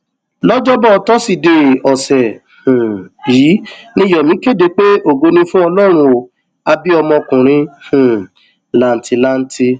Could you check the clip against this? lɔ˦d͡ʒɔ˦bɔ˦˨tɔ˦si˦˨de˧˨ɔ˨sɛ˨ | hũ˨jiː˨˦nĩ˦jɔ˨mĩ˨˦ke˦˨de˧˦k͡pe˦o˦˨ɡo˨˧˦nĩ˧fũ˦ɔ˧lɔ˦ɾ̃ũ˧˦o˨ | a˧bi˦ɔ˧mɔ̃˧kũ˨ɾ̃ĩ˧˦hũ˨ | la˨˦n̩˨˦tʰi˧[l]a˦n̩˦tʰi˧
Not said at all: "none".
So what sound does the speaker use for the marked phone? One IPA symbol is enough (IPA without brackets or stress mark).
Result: l